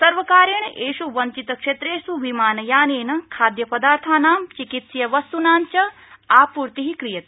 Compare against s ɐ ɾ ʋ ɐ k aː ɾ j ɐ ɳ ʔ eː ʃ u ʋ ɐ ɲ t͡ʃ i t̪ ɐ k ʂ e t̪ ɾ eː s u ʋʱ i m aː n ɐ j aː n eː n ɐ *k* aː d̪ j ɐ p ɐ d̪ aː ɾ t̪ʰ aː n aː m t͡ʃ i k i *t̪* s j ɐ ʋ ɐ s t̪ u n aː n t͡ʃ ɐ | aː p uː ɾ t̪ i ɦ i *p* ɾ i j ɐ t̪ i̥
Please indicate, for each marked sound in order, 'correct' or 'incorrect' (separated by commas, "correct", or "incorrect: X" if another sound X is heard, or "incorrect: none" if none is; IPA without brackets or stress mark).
incorrect: kʰ, correct, incorrect: k